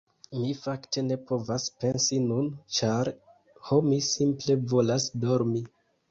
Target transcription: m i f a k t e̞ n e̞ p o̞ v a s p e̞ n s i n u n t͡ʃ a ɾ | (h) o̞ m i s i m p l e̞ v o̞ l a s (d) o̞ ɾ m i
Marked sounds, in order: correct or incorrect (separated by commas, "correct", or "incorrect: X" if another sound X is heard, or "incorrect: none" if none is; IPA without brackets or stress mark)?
correct, correct